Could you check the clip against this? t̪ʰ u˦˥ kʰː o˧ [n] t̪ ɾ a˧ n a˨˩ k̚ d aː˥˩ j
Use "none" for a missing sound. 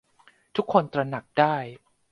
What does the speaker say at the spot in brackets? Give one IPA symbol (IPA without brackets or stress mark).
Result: n